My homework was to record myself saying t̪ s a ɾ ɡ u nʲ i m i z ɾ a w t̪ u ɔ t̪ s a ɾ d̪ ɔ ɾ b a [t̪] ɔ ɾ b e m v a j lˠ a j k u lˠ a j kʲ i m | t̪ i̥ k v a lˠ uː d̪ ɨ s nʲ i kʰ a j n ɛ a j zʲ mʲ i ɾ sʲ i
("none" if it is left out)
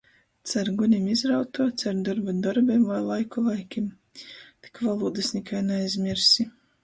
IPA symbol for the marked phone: d̪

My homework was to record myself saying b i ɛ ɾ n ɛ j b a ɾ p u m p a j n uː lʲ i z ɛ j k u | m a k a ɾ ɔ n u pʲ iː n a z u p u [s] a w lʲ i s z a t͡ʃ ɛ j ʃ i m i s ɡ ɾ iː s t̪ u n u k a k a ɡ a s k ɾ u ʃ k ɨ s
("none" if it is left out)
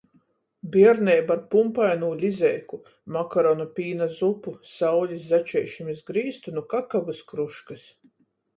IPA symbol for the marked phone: s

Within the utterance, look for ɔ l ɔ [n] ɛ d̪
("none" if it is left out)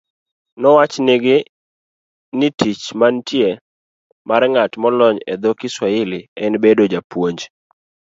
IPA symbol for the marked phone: ɲ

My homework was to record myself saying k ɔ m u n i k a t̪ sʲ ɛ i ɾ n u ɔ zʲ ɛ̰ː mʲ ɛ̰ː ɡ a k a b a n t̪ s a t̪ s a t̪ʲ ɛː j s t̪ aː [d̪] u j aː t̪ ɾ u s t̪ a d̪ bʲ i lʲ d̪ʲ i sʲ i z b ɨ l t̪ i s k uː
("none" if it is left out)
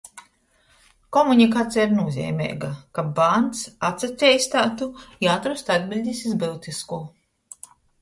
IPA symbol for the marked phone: t̪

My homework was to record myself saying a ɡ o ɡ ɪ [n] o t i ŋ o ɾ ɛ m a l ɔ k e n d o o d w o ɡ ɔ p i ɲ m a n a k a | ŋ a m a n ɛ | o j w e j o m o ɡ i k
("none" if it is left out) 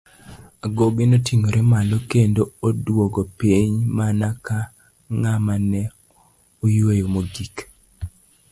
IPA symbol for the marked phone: n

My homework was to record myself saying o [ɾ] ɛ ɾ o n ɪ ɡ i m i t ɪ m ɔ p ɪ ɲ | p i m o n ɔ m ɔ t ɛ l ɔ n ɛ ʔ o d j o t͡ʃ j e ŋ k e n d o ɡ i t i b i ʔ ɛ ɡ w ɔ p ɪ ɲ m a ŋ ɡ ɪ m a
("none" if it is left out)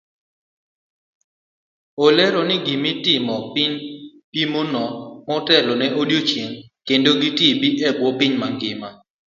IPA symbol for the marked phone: l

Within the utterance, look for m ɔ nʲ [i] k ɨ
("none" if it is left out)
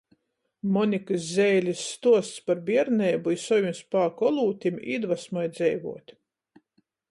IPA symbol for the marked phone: i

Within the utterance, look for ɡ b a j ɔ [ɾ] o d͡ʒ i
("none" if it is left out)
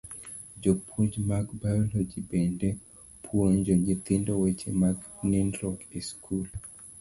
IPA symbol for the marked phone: l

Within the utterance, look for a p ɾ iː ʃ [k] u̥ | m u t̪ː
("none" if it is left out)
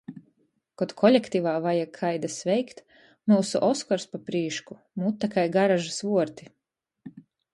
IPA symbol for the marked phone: k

